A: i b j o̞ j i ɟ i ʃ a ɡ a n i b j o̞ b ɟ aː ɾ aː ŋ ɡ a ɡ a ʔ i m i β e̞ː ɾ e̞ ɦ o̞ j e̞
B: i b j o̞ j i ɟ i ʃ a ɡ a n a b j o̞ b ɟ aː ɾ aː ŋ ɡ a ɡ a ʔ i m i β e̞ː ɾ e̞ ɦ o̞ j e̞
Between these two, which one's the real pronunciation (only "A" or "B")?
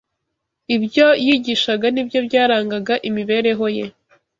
A